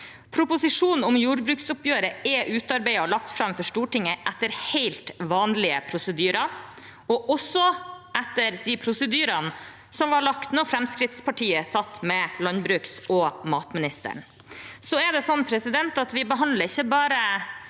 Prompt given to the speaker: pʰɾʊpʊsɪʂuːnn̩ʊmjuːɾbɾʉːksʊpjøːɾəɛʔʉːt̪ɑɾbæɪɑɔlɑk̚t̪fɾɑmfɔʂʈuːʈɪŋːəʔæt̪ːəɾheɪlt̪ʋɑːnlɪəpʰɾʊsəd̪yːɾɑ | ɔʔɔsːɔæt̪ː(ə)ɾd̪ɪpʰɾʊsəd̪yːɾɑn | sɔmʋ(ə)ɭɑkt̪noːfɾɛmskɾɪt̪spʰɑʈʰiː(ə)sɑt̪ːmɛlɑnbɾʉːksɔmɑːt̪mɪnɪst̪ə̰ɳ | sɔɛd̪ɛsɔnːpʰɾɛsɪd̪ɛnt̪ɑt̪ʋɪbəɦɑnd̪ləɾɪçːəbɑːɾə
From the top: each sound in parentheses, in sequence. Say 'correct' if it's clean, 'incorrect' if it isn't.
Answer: correct, incorrect: ɑ, correct

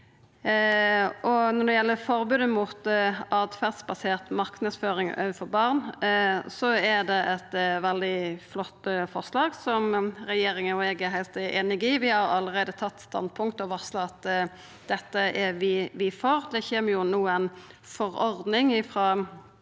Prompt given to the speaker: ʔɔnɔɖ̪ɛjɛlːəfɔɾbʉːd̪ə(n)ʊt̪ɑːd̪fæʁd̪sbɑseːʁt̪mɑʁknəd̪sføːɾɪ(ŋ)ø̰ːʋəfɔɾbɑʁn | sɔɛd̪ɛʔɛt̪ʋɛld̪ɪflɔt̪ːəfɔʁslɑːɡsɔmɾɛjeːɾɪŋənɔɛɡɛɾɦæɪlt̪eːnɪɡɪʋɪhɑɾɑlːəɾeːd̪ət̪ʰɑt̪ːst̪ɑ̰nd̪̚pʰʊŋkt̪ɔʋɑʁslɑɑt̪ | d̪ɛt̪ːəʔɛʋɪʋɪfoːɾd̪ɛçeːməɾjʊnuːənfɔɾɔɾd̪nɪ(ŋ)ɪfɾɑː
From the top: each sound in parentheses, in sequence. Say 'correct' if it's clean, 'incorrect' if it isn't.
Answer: incorrect: m, correct, correct

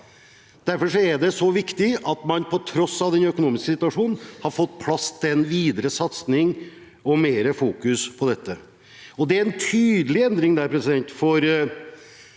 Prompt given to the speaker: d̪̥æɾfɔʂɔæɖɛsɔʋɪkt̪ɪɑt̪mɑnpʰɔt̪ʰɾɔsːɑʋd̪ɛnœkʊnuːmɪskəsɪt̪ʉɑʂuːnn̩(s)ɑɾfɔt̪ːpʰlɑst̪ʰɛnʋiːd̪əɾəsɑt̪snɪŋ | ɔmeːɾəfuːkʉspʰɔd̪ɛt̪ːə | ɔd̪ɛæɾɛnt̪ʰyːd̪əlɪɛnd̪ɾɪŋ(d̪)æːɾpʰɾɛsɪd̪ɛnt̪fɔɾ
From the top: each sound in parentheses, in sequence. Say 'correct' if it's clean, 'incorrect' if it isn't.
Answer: incorrect: h, correct

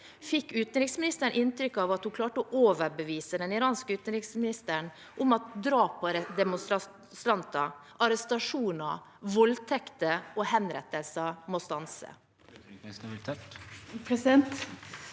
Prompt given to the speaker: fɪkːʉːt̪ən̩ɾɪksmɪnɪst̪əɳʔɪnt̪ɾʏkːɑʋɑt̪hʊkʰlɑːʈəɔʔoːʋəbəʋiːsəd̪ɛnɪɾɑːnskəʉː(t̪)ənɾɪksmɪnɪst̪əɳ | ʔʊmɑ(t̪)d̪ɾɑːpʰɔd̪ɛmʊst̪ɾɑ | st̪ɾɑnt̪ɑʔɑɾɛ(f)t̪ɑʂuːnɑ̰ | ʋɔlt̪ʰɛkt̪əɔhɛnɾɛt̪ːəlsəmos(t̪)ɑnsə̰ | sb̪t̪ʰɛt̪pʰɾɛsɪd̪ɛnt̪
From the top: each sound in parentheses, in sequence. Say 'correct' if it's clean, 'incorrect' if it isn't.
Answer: correct, correct, incorrect: s, correct

